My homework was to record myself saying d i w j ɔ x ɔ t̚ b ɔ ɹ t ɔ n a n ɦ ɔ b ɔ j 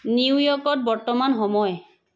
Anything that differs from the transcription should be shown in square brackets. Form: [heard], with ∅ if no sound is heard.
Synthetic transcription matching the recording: [n] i w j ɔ [k] ɔ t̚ b ɔ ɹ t ɔ [m] a n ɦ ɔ [m] ɔ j